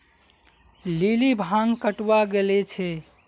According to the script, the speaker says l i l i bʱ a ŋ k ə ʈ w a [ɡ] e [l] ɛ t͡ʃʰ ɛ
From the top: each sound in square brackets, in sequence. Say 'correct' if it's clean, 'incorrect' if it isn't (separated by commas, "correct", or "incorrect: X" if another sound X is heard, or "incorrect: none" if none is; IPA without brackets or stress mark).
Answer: correct, correct